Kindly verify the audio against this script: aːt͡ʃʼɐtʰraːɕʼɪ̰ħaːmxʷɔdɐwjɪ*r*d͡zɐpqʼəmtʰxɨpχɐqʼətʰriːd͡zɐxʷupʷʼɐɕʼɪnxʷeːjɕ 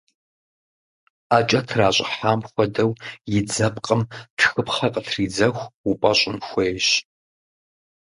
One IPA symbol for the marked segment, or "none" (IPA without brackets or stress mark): none